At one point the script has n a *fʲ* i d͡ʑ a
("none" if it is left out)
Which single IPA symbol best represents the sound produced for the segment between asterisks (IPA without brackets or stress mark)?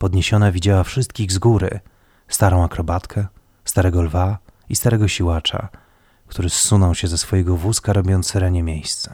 vʲ